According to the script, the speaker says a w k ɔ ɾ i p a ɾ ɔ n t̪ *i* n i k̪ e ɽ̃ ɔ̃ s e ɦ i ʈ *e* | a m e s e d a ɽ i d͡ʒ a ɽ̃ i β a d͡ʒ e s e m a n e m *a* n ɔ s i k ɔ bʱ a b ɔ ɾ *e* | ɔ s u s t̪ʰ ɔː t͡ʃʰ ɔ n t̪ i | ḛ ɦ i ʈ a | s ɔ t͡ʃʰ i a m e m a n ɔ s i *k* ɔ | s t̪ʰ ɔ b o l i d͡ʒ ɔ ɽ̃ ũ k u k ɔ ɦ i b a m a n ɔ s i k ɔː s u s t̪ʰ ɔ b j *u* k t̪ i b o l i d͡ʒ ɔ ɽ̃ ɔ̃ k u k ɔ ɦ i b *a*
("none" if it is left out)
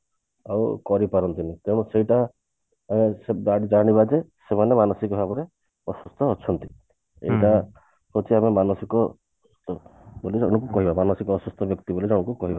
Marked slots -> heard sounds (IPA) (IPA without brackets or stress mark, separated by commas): i, a, a, e, k, ɔ, a